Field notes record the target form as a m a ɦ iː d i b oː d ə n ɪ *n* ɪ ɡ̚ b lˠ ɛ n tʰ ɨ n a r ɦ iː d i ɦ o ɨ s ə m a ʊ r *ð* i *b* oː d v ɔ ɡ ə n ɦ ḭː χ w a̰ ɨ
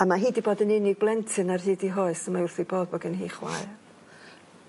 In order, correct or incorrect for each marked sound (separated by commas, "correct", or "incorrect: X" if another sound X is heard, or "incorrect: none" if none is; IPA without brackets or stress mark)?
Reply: correct, incorrect: θ, correct